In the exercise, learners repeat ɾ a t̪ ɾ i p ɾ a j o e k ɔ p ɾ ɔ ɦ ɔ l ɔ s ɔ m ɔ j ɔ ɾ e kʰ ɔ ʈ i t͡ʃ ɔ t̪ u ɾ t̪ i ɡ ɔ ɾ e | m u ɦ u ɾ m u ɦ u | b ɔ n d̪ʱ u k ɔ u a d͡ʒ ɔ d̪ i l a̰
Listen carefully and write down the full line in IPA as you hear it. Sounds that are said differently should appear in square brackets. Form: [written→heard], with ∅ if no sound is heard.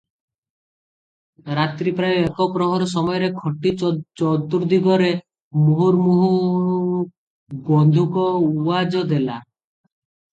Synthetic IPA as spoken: ɾ a t̪ ɾ i p ɾ a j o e k ɔ p ɾ ɔ ɦ ɔ [l→ɾ] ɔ s ɔ m ɔ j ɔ ɾ e kʰ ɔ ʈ i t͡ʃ ɔ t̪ u ɾ [t̪→d̪] i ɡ ɔ ɾ e | m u ɦ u ɾ m u ɦ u | b ɔ n d̪ʱ u k ɔ u a d͡ʒ ɔ d̪ [i→e] l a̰

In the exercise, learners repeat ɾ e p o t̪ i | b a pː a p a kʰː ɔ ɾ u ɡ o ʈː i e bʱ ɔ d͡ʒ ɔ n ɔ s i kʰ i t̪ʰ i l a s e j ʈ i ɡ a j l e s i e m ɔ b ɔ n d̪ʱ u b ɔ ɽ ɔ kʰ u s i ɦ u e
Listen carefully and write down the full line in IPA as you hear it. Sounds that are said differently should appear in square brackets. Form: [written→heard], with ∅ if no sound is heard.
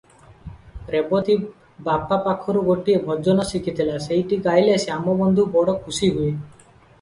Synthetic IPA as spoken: ɾ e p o t̪ i | b a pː a p a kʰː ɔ ɾ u ɡ o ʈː i e bʱ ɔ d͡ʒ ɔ n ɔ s i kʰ i t̪ʰ i l a s e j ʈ i ɡ a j l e s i [e→a] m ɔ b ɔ n d̪ʱ u b ɔ ɽ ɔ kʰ u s i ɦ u e

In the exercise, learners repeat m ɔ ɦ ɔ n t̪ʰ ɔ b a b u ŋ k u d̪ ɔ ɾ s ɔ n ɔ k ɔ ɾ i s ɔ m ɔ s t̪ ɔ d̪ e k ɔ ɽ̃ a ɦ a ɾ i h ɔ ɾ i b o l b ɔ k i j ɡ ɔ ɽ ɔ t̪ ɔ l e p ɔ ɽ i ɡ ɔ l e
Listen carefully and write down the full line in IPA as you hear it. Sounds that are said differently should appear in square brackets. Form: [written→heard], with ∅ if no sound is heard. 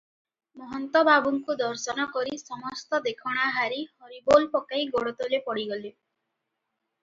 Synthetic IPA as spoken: m ɔ ɦ ɔ n [t̪ʰ→t̪] ɔ b a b u ŋ k u d̪ ɔ ɾ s ɔ n ɔ k ɔ ɾ i s ɔ m ɔ s t̪ ɔ d̪ e [k→kʰ] ɔ ɽ̃ a ɦ a ɾ i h ɔ ɾ i b o l [b→p] ɔ k [i→a] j ɡ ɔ ɽ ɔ t̪ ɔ l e p ɔ ɽ i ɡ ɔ l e

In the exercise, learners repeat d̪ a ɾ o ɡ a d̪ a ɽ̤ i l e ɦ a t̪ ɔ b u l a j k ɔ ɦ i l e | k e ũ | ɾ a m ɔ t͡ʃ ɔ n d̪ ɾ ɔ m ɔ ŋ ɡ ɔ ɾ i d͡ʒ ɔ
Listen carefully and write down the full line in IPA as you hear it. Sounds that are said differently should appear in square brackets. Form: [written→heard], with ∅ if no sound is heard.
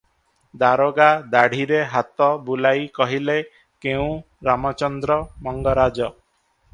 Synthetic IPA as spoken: d̪ a ɾ o ɡ a d̪ a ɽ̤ i [l→ɾ] e ɦ a t̪ ɔ b u l a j k ɔ ɦ i l e | k e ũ | ɾ a m ɔ t͡ʃ ɔ n d̪ ɾ ɔ m ɔ ŋ ɡ ɔ ɾ [i→a] d͡ʒ ɔ

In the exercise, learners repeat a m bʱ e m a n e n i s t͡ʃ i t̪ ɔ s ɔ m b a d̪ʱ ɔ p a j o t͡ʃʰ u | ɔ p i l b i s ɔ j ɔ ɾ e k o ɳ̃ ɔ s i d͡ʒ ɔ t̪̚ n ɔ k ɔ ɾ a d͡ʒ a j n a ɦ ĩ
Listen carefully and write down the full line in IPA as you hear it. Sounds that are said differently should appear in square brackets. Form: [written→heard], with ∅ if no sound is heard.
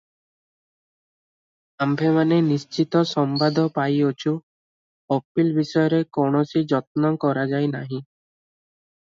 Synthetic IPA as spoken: a m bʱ e m a n e n i s t͡ʃ i t̪ ɔ s ɔ m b a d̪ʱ ɔ p a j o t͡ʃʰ u | ɔ p i l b i s ɔ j ɔ ɾ e k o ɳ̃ ɔ s i d͡ʒ ɔ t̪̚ n ɔ k ɔ ɾ a d͡ʒ a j n a ɦ ĩ

